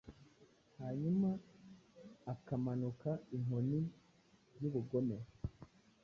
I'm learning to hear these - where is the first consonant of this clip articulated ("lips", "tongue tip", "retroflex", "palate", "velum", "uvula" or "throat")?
throat